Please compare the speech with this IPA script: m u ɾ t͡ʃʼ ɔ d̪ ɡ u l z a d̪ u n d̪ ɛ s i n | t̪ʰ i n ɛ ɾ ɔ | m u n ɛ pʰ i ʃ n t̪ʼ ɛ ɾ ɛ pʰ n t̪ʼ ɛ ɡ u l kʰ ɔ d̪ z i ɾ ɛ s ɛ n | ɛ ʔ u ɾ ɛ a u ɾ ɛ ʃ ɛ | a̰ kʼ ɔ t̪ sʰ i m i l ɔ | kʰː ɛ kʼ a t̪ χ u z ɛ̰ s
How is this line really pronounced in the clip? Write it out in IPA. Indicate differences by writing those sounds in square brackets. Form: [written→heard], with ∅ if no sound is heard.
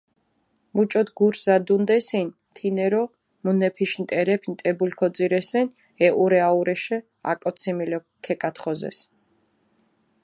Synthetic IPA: m u [ɾ→∅] t͡ʃʼ ɔ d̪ ɡ u [l→ɾ] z a d̪ u n d̪ ɛ s i n | t̪ʰ i n ɛ ɾ ɔ | m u n ɛ pʰ i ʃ n t̪ʼ ɛ ɾ ɛ pʰ n t̪ʼ ɛ [ɡ→b] u l kʰ ɔ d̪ z i ɾ ɛ s ɛ n | ɛ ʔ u ɾ ɛ a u ɾ ɛ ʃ ɛ | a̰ kʼ ɔ t̪ sʰ i m i l ɔ | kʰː ɛ kʼ a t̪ χ [u→ɔ] z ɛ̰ s